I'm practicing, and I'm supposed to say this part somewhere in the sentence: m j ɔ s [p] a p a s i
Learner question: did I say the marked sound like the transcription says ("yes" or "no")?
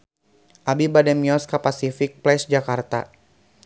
no